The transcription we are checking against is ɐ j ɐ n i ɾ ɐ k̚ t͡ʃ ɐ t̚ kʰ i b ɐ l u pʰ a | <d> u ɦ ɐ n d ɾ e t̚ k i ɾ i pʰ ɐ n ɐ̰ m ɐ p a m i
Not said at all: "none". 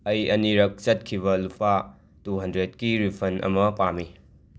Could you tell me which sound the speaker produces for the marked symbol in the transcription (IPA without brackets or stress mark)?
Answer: t